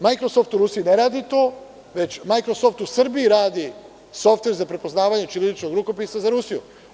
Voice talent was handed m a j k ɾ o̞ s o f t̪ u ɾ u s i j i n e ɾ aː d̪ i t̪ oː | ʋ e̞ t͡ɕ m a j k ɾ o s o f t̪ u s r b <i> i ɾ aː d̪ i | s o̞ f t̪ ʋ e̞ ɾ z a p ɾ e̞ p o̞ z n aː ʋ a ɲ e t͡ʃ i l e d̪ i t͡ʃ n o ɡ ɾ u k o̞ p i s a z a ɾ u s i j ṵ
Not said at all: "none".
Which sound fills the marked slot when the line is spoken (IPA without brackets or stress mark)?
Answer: i